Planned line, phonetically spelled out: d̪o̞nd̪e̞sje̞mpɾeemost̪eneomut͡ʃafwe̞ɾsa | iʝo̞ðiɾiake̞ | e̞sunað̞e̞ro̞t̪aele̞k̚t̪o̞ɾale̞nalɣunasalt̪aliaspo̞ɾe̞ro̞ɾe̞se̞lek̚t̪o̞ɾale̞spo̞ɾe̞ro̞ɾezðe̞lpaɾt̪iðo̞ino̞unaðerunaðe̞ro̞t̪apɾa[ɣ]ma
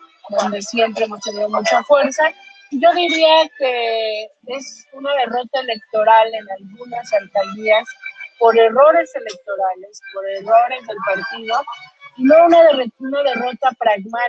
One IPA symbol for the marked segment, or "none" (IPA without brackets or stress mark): ɣ